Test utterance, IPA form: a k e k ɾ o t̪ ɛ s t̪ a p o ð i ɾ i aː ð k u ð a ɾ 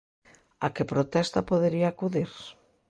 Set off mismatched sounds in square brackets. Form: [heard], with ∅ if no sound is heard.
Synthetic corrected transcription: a k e [p] ɾ o t̪ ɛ s t̪ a p o ð [e] ɾ i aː [∅] k u ð [i] ɾ